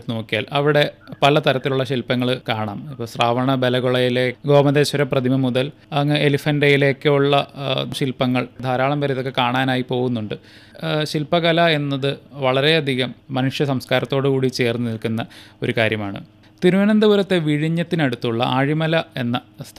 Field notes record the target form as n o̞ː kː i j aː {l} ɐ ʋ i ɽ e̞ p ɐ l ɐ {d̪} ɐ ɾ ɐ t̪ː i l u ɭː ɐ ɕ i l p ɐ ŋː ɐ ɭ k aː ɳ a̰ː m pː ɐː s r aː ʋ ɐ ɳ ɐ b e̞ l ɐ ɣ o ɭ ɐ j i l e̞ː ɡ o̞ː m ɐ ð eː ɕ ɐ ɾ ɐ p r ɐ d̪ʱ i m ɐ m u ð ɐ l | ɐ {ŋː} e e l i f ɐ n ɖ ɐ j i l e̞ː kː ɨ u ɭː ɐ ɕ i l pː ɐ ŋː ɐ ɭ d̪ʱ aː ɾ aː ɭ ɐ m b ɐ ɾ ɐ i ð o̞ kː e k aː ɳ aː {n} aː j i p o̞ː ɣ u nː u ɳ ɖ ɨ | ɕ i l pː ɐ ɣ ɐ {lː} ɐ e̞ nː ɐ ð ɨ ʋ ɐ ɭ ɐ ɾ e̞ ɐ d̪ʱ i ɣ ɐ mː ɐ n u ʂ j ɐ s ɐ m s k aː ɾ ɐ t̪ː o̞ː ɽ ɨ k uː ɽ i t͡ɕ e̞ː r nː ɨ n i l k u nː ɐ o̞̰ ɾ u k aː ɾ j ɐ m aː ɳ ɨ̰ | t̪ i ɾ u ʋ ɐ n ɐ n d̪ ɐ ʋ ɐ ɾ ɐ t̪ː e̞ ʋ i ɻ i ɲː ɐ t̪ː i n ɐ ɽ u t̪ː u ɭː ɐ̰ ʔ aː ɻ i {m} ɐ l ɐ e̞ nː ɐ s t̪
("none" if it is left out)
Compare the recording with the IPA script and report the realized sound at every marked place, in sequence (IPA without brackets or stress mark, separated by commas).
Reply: l, t̪, ŋː, n, l, m